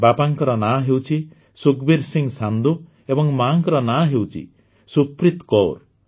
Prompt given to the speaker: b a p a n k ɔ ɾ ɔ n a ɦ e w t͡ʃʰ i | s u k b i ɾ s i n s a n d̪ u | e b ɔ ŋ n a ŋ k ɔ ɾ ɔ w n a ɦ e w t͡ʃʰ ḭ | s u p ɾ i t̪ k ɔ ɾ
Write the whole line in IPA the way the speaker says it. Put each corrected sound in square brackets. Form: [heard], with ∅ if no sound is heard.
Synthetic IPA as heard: b a p a [ŋ] k ɔ ɾ ɔ n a ɦ e w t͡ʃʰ i | s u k b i ɾ s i [ŋ] s a n d̪ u | e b ɔ ŋ [m] a ŋ k ɔ ɾ ɔ [∅] n a ɦ e w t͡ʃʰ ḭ | s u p ɾ i t̪ k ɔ ɾ

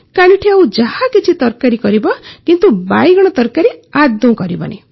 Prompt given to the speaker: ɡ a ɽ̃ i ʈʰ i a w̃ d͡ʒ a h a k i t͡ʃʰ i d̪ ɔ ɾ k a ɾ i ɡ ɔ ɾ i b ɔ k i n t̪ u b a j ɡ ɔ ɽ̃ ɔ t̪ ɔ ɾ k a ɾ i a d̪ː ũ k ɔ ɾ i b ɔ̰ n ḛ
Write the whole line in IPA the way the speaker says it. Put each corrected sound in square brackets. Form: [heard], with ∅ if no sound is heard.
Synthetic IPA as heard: [k] a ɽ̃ i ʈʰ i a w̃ d͡ʒ a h a k i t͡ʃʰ i [t̪] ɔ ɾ k a ɾ i [k] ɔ ɾ i b ɔ k i n t̪ u b a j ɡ ɔ ɽ̃ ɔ t̪ ɔ ɾ k a ɾ i a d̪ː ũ k ɔ ɾ i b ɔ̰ n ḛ

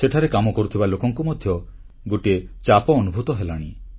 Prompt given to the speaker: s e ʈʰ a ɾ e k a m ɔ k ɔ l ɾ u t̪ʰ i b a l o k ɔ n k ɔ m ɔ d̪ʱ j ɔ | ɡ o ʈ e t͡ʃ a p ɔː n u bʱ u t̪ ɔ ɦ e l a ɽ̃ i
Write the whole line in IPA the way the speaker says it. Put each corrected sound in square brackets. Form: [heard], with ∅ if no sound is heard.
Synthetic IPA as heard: s e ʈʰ a ɾ e k a m ɔ k ɔ [∅] ɾ u t̪ʰ i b a l o k ɔ [ŋ] k [u] m ɔ d̪ʱ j ɔ | ɡ o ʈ e t͡ʃ a p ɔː n u bʱ u t̪ ɔ ɦ e l a ɽ̃ i

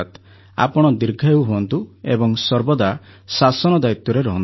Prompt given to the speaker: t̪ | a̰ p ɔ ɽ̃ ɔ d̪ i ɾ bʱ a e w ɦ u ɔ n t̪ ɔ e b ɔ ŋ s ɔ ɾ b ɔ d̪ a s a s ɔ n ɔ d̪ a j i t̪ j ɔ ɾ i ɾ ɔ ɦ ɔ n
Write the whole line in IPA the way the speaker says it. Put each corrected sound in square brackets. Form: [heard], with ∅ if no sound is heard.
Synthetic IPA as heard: t̪ | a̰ p ɔ ɽ̃ ɔ d̪ i ɾ [ɡʱ] a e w ɦ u ɔ n t̪ [u] e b ɔ ŋ s ɔ ɾ b ɔ d̪ a s a s ɔ n ɔ d̪ a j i t̪ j ɔ ɾ [e] ɾ ɔ ɦ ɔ n

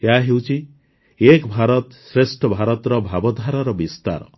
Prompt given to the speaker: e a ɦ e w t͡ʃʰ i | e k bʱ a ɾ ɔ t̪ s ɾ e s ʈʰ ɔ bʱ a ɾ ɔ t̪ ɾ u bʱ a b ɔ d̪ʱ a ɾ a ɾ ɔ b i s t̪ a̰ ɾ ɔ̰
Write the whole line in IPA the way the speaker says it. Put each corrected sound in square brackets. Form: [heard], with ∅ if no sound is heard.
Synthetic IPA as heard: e a ɦ e w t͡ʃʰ i | e k bʱ a ɾ ɔ t̪ s ɾ e s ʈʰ ɔ bʱ a ɾ ɔ t̪ ɾ [ɔ] bʱ a b ɔ d̪ʱ a ɾ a ɾ ɔ b i s t̪ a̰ ɾ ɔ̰

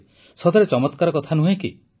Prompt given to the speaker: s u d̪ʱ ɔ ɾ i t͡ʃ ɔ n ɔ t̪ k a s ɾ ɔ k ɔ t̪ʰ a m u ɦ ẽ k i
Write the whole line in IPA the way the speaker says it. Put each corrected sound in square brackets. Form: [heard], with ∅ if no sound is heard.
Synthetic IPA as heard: s [ɔ] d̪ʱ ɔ ɾ [e] t͡ʃ ɔ [m] ɔ t̪ k a [∅] ɾ ɔ k ɔ t̪ʰ a [n] u ɦ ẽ k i

